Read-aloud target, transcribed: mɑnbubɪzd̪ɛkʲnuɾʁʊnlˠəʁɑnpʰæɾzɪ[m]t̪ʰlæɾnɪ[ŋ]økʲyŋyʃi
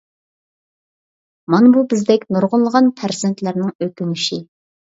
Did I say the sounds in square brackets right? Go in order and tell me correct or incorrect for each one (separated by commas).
incorrect, correct